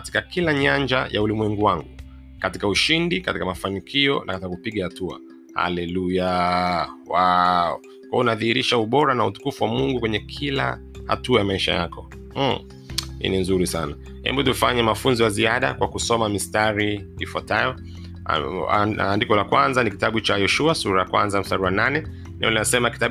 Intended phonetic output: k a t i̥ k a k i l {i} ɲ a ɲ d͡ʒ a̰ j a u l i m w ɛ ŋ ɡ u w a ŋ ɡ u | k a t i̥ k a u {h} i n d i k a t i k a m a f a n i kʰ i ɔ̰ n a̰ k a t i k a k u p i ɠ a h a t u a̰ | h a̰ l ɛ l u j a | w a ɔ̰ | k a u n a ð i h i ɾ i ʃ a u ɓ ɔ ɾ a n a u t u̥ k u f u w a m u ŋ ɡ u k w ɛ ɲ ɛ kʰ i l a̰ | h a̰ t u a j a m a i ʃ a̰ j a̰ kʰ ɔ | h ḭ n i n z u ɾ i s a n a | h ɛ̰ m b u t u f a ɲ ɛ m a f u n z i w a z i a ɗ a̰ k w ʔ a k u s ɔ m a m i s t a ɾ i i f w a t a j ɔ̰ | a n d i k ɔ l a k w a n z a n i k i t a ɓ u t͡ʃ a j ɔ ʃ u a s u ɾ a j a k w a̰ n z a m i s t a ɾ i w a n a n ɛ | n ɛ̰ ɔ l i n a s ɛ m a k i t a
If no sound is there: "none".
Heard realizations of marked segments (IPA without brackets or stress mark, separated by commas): a, ʃ